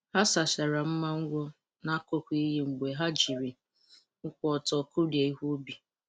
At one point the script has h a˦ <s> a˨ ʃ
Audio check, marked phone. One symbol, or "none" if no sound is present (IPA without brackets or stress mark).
s